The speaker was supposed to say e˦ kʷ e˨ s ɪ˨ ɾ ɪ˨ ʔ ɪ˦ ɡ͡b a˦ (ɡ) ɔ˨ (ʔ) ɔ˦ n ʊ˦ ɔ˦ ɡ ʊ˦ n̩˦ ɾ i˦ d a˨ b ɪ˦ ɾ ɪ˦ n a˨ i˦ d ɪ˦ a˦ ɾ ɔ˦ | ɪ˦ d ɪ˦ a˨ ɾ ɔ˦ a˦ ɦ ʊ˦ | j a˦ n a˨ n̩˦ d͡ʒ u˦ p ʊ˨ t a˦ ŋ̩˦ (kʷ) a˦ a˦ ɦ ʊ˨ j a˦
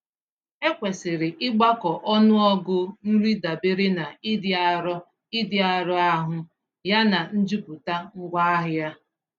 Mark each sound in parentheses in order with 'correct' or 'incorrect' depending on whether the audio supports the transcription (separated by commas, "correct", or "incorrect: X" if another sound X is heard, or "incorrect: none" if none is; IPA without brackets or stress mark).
incorrect: k, correct, incorrect: ɡʷ